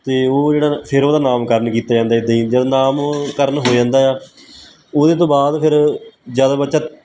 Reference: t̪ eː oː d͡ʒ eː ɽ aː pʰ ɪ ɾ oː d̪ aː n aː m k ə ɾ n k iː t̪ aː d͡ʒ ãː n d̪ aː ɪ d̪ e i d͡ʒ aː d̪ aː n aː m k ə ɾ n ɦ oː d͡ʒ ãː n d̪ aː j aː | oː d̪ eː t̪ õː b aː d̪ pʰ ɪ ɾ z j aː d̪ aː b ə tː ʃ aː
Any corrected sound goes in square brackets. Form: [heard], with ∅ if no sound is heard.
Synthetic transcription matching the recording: t̪ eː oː d͡ʒ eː ɽ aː pʰ ɪ ɾ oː d̪ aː n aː m k ə ɾ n k iː t̪ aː d͡ʒ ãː n d̪ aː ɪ d̪ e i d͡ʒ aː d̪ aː n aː m k ə ɾ n ɦ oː d͡ʒ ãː n d̪ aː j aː | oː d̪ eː t̪ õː b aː d̪ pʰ ɪ ɾ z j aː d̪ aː b ə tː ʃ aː